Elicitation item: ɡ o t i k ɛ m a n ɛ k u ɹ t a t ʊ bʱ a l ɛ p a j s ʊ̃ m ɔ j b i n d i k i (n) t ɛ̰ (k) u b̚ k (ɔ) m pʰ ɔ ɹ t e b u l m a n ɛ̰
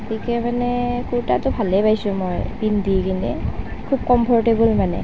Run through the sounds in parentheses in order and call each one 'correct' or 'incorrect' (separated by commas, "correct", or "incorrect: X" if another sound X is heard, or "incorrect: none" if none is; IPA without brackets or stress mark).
correct, incorrect: kʰ, correct